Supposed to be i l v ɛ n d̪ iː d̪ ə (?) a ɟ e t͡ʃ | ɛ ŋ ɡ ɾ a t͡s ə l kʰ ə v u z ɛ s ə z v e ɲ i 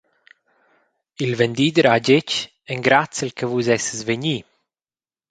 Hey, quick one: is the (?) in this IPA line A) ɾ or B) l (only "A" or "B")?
A